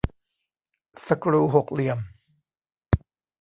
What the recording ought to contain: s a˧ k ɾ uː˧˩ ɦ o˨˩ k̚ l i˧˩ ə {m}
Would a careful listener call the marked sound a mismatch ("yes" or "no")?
no